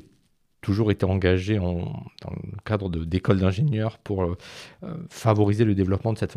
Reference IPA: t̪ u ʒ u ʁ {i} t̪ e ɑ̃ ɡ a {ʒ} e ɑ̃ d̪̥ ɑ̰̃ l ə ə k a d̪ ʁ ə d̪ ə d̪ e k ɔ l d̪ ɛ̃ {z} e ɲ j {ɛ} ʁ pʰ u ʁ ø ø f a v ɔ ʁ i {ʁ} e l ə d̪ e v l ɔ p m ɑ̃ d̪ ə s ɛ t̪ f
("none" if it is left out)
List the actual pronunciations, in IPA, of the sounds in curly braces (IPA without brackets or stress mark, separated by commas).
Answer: e, ʒ, ʒ, œ, z